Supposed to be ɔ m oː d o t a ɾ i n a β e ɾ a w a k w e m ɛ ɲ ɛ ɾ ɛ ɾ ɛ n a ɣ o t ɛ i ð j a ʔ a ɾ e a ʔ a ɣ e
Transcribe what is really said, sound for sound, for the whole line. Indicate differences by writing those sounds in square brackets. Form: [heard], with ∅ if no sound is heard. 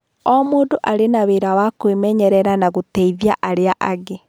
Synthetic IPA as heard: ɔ m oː d o [ʔ] a ɾ [e] n a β e ɾ a w a k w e m ɛ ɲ ɛ ɾ ɛ ɾ [a] n a ɣ o t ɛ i ð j a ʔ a ɾ e a ʔ a ɣ e